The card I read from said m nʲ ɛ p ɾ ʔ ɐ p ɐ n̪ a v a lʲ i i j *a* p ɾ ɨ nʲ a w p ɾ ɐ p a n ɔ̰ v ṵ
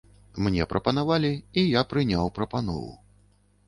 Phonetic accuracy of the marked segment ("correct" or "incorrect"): correct